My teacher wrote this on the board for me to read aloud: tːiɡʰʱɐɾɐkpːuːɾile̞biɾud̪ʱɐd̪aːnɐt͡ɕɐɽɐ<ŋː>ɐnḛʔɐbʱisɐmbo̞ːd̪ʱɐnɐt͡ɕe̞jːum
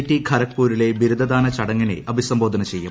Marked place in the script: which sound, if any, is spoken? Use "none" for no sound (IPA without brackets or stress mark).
ŋː